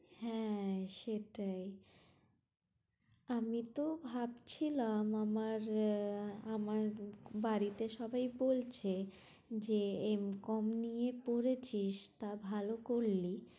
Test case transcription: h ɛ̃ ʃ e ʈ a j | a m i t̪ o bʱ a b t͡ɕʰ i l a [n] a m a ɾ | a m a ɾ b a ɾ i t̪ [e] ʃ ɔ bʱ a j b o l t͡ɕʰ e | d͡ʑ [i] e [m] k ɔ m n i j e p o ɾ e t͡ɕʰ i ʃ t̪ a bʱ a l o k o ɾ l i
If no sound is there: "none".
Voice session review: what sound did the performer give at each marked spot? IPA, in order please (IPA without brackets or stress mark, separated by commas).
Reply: m, e, e, m